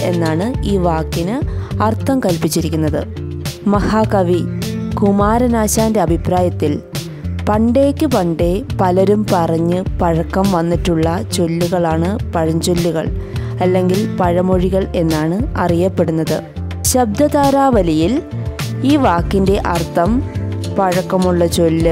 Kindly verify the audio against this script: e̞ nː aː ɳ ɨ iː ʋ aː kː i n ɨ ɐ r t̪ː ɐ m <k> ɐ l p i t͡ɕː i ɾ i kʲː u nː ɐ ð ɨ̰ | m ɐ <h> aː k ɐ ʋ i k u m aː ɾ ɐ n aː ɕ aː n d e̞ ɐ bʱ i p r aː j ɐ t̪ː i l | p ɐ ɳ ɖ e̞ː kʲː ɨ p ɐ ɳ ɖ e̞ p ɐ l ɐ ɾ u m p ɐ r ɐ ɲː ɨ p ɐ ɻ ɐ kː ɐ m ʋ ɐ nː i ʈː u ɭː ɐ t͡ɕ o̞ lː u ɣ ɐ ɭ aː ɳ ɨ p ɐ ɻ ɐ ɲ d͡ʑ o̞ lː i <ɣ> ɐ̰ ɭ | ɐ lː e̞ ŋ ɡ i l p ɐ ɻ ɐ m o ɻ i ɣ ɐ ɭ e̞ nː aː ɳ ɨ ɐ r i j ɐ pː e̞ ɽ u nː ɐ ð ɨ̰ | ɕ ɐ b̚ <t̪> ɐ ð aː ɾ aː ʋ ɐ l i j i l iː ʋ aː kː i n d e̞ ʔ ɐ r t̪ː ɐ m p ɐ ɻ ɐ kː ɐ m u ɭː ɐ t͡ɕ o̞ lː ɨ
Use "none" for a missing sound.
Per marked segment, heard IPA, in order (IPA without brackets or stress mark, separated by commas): k, h, ɣ, d̪